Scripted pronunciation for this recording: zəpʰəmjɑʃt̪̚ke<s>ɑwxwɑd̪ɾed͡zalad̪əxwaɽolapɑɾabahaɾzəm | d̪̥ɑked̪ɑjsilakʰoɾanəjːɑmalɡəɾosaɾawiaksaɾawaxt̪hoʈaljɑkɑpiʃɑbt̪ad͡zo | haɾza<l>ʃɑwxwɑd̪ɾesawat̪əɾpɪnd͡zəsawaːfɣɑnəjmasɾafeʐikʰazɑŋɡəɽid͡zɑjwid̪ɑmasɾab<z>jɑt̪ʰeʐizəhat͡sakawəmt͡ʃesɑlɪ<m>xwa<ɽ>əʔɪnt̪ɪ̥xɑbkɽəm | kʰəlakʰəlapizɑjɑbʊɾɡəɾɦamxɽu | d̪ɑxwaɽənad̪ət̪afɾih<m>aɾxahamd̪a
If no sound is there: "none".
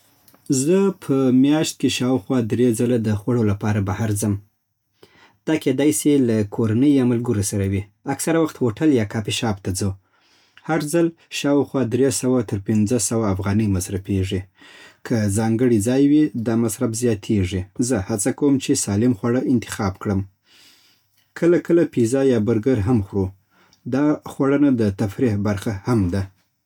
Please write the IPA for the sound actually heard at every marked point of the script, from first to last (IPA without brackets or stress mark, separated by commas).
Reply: ʃ, l, z, m, ɽ, b